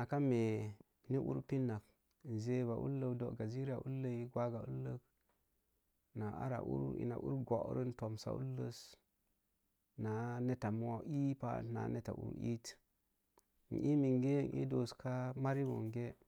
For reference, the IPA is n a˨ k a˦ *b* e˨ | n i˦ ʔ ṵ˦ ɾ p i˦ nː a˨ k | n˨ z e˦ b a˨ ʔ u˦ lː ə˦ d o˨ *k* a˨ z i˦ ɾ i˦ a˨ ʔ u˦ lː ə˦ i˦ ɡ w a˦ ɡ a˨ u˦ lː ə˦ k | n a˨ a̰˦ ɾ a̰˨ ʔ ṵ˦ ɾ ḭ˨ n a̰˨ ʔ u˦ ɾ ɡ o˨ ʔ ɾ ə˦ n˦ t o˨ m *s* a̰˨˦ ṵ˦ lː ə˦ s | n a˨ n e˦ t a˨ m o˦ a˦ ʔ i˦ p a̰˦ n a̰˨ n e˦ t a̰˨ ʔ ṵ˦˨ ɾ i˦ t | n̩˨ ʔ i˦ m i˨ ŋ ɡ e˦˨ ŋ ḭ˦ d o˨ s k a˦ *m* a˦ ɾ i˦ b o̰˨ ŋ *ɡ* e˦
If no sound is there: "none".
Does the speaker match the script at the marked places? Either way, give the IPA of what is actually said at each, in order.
m, ɡ, s, m, ɡ

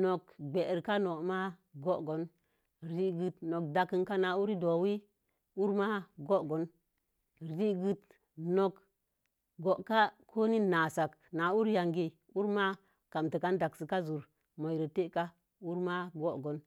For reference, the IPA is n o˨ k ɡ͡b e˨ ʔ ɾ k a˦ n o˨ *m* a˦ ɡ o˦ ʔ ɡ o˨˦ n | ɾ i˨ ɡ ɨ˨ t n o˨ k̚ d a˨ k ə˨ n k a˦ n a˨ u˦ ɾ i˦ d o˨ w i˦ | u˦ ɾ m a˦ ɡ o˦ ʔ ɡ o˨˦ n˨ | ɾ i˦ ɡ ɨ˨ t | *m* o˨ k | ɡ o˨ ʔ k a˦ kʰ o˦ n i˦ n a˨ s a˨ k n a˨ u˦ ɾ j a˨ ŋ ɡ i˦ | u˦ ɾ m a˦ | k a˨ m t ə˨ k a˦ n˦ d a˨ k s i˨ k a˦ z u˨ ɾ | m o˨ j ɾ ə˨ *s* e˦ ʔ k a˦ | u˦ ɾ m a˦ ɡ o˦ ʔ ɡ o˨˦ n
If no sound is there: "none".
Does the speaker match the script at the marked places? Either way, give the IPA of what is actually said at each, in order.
m, n, t

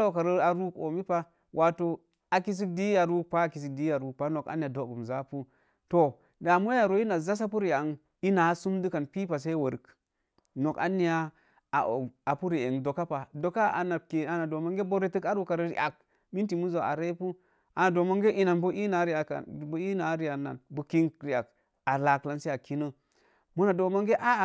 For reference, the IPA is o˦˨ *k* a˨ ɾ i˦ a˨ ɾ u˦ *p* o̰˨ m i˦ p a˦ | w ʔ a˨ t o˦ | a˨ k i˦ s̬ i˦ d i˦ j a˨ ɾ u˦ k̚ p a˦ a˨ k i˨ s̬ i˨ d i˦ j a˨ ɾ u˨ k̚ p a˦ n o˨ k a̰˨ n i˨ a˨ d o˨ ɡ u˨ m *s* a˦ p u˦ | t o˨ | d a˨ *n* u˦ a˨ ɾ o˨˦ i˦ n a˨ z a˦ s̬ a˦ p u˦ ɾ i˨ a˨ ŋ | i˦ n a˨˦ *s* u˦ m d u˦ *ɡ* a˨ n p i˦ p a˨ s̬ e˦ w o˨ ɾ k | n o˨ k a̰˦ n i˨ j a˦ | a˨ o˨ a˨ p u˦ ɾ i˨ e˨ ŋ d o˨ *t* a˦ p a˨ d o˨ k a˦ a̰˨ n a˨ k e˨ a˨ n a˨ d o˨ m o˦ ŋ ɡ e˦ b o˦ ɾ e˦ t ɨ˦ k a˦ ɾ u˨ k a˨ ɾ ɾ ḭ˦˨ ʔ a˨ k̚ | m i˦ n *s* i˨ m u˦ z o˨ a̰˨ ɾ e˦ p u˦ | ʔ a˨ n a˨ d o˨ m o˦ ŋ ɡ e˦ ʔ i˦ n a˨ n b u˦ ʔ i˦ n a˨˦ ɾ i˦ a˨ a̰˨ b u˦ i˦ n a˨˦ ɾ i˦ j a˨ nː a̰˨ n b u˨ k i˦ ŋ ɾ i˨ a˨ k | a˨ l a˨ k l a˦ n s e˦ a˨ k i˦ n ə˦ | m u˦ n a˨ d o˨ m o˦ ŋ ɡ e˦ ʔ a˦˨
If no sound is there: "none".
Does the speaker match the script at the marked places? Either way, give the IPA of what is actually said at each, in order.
k, k, z, m, s, k, k, t

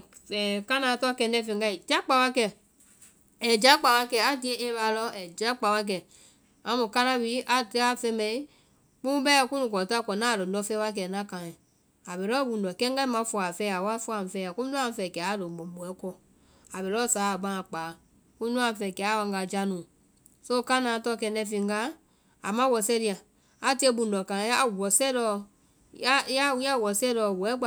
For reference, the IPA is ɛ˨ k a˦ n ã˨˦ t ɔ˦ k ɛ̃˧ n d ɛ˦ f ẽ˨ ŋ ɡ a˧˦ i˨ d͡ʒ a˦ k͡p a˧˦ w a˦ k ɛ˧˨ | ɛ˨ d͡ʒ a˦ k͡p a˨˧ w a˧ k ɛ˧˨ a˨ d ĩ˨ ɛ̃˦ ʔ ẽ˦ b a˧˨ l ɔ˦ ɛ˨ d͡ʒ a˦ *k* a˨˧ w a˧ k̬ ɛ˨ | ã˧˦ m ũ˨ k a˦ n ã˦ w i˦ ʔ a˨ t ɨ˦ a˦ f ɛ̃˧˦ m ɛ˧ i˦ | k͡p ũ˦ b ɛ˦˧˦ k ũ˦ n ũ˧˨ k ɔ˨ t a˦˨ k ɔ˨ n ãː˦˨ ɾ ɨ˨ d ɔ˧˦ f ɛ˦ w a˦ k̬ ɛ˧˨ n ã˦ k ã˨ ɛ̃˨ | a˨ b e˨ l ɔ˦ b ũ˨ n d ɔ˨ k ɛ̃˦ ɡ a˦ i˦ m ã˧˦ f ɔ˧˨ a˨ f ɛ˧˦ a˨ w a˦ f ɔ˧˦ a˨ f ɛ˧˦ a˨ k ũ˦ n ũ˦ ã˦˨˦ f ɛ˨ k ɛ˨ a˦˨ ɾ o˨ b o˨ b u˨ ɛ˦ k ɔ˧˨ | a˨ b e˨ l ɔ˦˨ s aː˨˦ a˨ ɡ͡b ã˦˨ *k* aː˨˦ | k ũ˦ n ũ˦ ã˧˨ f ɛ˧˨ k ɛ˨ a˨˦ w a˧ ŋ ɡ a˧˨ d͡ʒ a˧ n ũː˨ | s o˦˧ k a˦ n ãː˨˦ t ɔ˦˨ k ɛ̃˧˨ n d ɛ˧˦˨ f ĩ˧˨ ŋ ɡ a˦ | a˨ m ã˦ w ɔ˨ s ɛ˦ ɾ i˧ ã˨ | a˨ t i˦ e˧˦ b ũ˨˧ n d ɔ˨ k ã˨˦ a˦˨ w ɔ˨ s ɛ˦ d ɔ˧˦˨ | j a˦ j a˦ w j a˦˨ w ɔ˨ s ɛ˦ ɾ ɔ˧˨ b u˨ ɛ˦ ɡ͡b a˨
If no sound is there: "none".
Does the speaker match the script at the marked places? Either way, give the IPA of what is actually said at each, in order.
k͡p, k͡p

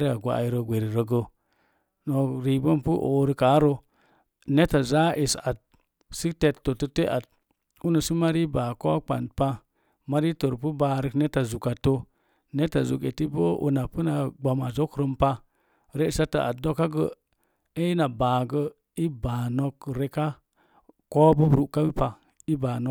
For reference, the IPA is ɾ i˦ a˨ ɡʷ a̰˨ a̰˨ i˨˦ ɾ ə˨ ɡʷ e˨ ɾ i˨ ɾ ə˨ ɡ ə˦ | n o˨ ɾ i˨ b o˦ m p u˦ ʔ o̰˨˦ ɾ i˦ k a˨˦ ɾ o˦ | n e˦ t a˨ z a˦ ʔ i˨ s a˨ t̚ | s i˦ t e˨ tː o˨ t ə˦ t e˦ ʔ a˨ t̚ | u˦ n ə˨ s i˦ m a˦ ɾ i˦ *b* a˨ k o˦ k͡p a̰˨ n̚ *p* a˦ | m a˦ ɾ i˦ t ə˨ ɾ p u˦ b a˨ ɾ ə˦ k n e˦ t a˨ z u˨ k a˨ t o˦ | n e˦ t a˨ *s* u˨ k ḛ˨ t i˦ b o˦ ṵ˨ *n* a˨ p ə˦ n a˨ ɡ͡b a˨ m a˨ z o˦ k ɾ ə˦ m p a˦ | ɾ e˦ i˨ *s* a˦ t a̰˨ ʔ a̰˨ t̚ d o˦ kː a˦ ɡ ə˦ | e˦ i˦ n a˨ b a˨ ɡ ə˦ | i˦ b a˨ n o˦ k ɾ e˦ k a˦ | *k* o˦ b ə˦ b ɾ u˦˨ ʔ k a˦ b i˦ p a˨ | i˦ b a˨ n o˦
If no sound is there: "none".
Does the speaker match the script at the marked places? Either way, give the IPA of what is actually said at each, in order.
b, p, z, n, s, k

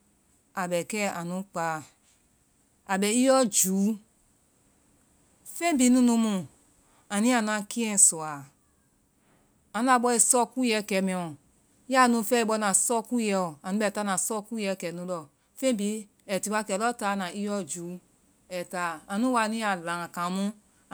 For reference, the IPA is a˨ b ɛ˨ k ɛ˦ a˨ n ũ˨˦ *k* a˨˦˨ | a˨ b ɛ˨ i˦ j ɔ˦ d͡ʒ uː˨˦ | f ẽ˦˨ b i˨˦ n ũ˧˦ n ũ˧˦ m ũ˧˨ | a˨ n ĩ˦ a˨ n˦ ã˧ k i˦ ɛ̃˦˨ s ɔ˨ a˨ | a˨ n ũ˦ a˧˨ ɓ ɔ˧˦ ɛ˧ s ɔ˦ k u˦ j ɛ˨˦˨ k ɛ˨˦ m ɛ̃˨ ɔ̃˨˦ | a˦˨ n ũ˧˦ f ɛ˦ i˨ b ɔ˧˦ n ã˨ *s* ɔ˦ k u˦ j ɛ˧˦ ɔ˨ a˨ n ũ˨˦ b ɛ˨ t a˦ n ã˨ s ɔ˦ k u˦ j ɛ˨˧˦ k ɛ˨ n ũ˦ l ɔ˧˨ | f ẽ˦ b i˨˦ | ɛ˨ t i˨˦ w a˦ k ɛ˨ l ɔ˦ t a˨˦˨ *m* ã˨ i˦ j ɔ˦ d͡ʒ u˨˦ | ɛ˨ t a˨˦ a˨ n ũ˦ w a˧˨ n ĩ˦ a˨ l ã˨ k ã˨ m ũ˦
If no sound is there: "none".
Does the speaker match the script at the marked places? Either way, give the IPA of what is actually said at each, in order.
k͡p, s, n

